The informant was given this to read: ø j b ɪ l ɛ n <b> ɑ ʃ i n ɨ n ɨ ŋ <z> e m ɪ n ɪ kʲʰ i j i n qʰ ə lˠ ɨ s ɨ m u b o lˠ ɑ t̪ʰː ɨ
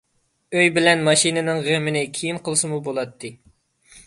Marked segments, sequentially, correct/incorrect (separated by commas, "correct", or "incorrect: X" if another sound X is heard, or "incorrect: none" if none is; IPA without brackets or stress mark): incorrect: m, incorrect: ʁ